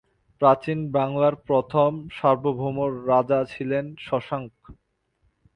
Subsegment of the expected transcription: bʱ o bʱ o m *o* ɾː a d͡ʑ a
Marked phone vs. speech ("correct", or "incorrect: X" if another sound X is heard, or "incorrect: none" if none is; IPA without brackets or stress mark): correct